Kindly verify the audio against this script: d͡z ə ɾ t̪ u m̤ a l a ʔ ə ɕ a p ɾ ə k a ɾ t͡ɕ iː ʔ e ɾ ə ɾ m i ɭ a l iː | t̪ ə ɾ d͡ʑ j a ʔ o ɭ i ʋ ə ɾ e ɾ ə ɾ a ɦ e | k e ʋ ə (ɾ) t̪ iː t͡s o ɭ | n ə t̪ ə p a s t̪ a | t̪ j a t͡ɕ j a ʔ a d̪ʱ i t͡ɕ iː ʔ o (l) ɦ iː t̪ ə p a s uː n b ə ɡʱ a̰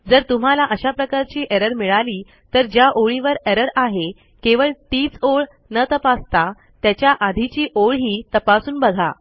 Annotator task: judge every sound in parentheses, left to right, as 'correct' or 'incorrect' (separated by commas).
incorrect, incorrect